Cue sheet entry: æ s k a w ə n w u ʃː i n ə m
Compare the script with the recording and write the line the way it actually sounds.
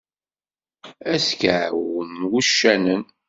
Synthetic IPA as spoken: æ s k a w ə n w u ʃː æ n ə n